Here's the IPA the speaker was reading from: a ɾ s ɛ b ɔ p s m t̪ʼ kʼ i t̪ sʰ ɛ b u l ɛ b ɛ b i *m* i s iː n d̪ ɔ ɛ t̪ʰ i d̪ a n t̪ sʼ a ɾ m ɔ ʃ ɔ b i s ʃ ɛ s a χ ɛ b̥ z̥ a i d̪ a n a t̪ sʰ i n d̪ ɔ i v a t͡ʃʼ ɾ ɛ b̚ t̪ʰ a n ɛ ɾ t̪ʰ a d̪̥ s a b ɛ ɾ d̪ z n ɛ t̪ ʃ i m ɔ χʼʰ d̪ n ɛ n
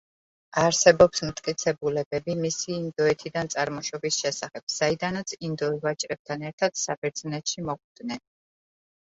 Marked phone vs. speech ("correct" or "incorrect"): correct